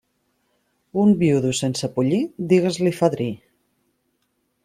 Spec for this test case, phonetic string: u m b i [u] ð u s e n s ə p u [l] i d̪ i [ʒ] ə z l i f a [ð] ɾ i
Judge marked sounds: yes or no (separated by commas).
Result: yes, no, no, yes